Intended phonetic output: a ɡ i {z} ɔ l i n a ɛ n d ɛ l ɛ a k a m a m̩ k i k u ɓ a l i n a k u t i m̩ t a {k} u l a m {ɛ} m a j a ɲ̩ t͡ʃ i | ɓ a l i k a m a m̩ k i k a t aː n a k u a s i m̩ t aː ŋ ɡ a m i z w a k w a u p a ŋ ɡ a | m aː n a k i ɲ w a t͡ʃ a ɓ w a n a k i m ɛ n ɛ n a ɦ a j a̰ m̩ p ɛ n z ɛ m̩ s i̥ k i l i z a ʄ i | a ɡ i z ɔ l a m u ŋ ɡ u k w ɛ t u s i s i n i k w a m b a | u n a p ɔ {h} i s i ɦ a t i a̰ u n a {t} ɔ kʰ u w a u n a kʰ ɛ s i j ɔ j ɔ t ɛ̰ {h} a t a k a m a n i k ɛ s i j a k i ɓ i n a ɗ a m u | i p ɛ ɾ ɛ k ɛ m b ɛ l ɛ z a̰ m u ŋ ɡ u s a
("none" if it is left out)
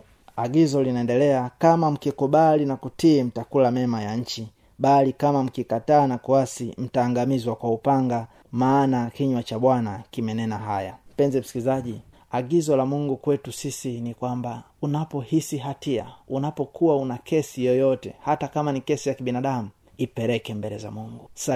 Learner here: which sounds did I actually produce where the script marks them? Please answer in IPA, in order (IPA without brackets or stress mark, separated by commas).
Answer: z, k, ɛ, h, p, h